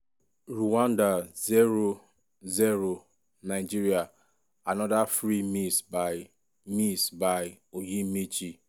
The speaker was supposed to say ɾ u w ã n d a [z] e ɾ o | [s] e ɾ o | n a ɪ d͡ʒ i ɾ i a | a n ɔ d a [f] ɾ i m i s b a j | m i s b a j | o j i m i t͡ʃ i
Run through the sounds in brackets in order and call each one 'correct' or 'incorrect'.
correct, incorrect: z, correct

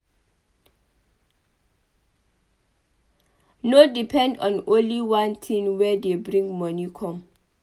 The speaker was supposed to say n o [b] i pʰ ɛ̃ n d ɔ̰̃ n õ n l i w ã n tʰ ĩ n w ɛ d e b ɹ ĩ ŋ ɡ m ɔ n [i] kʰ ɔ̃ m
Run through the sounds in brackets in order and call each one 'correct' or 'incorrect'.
incorrect: d, correct

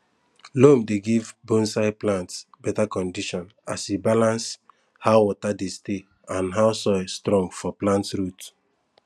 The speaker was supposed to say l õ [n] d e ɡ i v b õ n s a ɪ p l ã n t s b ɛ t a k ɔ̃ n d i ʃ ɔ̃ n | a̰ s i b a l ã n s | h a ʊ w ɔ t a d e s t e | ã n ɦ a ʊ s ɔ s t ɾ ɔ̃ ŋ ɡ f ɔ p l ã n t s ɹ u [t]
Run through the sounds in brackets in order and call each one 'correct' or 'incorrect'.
incorrect: m, correct

